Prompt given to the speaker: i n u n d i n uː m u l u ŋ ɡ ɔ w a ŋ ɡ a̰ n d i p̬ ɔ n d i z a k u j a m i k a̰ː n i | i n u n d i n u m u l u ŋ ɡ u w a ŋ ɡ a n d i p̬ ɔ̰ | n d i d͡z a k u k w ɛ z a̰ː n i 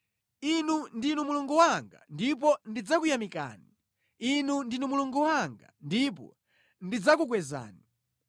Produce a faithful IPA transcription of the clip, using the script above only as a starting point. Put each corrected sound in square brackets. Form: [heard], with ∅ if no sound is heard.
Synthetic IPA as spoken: i n u n d i n [u] m u l u ŋ ɡ [u] w a ŋ ɡ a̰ n d i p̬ ɔ n d i [d͡z] a k u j a m i k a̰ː n i | i n u n d i n u m u l u ŋ ɡ u w a ŋ ɡ a n d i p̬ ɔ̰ | n d i d͡z a k u k w ɛ z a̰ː n i